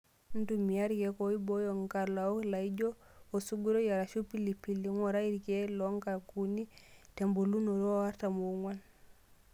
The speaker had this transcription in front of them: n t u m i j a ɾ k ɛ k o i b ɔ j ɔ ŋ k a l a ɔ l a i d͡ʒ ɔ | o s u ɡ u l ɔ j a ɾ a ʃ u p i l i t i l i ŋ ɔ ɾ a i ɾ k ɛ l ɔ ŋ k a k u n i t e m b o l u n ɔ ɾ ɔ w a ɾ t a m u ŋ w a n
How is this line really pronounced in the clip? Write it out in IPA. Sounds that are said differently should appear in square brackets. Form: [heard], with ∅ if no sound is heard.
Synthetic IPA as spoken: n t u m i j a ɾ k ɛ k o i b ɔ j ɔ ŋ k a l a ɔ l a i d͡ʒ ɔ | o s u ɡ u [ɾ] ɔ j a ɾ a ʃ u p i l i [p] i l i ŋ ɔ ɾ a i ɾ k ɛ l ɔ ŋ k a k u n i t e m b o l u n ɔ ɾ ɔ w a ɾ t a m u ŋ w a n